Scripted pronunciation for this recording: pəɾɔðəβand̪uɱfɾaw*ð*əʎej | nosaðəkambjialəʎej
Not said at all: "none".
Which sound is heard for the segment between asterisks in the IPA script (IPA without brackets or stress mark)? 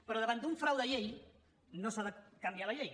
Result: ð